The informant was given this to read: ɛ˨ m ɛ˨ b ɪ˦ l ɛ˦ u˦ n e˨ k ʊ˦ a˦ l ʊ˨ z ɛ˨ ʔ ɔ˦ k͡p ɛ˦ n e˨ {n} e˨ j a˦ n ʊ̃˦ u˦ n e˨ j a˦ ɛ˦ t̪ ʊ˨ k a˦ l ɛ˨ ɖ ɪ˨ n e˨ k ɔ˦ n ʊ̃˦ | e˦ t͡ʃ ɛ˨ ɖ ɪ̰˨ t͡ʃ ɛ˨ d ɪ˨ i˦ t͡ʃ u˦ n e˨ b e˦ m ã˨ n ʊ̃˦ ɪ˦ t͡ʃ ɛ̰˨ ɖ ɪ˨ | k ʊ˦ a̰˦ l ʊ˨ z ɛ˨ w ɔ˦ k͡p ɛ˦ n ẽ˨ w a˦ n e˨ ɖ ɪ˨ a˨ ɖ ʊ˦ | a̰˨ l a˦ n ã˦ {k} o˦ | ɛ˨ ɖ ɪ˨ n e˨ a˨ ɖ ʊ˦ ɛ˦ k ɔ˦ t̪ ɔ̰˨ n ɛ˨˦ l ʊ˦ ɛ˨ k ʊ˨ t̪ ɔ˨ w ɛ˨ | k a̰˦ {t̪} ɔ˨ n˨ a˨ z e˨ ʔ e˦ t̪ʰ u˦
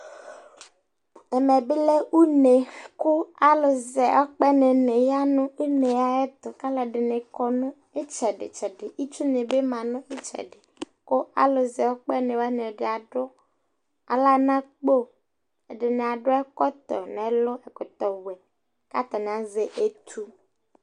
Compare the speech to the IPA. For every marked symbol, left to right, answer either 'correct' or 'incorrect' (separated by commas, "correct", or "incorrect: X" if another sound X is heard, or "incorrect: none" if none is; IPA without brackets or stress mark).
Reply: correct, incorrect: k͡p, correct